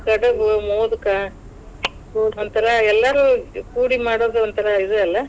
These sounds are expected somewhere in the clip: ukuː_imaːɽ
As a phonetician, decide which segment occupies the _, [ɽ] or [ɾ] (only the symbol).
ɽ